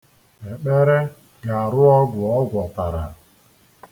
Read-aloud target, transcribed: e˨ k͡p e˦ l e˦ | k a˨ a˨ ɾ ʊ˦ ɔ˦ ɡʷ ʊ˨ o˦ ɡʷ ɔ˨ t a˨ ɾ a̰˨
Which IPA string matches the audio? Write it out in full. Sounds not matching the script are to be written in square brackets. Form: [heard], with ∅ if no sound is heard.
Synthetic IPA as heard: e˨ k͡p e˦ [ɾ] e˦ | [ɡ] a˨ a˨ ɾ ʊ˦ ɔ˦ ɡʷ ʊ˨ [ɔ˦] ɡʷ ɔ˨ t a˨ ɾ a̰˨